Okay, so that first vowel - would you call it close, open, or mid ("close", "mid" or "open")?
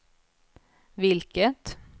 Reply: close